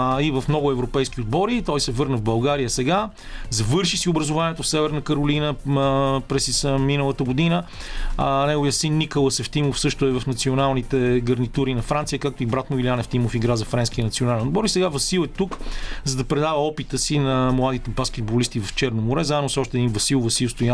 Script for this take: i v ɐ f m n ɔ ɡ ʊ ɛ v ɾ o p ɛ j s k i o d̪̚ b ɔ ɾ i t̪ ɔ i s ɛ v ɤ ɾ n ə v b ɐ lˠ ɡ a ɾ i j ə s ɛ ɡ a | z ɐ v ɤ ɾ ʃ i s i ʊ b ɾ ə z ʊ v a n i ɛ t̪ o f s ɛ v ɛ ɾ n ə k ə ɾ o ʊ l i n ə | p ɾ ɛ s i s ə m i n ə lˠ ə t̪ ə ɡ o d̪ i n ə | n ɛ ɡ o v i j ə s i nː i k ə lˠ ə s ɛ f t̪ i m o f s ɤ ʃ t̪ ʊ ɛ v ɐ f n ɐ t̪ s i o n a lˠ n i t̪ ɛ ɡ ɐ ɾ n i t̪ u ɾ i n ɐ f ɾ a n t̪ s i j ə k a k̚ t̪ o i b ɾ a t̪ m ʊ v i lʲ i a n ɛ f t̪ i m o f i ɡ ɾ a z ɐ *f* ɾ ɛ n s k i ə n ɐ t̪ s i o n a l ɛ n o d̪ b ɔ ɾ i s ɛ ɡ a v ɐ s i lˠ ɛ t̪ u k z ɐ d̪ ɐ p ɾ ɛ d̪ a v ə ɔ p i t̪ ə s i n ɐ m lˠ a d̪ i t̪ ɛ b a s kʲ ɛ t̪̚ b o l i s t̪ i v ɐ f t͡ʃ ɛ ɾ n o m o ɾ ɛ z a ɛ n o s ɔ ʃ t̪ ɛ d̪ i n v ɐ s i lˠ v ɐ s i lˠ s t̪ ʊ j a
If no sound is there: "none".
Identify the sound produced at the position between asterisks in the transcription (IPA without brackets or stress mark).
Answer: f